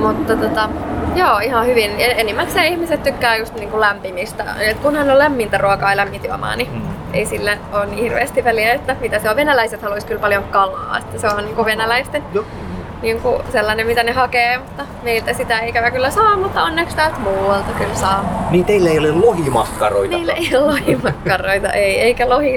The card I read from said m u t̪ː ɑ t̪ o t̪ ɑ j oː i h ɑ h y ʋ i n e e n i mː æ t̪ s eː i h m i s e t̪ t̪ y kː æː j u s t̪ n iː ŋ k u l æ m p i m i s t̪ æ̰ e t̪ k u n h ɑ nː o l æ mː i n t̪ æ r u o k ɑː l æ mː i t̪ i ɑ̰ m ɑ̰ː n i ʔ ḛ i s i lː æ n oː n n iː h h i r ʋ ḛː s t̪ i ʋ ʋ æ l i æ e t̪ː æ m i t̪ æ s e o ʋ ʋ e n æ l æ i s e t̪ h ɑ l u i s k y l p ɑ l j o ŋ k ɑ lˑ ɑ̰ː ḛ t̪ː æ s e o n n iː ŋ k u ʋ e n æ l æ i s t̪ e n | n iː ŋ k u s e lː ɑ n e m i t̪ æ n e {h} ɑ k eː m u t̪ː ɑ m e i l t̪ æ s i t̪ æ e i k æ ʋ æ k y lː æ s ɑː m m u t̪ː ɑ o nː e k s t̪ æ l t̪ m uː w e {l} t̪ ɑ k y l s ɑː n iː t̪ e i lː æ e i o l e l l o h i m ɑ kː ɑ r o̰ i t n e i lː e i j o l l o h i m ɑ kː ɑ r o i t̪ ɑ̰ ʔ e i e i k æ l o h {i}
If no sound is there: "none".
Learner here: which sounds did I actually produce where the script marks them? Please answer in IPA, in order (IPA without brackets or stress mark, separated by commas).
h, l, i